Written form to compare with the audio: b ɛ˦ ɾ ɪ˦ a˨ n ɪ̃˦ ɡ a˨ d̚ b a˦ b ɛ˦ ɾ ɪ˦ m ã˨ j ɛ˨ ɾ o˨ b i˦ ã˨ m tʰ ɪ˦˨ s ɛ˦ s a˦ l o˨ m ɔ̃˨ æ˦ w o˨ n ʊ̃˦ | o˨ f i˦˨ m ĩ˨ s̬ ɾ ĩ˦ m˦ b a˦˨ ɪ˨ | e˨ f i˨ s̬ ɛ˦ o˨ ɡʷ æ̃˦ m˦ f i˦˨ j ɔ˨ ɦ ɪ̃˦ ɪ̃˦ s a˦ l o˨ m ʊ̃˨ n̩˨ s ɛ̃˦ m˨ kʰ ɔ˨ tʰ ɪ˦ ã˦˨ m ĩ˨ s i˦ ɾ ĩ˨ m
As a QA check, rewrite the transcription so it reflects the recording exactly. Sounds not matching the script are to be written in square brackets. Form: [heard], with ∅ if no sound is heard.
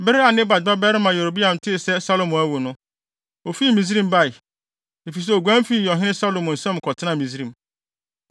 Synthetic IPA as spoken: b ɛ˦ ɾ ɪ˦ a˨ n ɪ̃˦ [b] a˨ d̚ b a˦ b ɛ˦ ɾ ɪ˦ m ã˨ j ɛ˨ ɾ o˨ b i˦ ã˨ m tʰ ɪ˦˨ s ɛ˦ s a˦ l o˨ m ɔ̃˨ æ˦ w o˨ n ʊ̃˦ | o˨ f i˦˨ m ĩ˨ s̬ ɾ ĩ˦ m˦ b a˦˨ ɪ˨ | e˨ f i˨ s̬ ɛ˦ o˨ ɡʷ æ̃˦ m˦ f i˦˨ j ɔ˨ ɦ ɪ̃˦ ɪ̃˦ s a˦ l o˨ m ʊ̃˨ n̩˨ s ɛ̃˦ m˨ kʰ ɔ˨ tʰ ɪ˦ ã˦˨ m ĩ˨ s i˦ ɾ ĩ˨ m